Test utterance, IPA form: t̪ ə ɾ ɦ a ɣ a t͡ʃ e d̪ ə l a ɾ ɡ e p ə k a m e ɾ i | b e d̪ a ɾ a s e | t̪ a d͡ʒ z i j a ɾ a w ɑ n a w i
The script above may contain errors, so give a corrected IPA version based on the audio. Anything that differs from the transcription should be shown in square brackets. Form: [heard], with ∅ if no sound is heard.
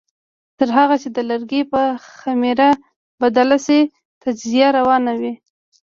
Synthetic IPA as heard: t̪ ə ɾ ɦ a ɣ a t͡ʃ e d̪ ə l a ɾ ɡ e p ə [x] a m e ɾ [a] | b [a] d̪ a [l] a s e | t̪ a d͡ʒ z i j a ɾ a w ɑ n a w i